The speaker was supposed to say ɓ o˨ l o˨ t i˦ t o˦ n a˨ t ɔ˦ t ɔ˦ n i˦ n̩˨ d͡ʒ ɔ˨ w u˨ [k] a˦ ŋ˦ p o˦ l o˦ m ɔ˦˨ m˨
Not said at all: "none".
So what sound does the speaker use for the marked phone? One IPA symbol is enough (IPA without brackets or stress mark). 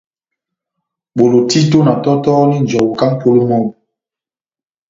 k